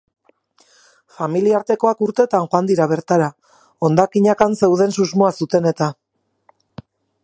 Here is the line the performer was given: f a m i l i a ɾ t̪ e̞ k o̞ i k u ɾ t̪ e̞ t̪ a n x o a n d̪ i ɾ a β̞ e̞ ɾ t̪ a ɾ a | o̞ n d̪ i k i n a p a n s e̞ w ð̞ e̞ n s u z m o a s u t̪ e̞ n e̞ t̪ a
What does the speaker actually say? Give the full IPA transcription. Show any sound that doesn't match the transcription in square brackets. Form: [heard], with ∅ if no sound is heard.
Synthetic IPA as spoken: f a m i l i a ɾ t̪ e̞ k o̞ [a] k u ɾ t̪ e̞ t̪ a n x o a n d̪ i ɾ a β̞ e̞ ɾ t̪ a ɾ a | o̞ n d̪ [a] k i [ɲ] a [k] a n s e̞ w ð̞ e̞ n s u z m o a s u t̪ e̞ n e̞ t̪ a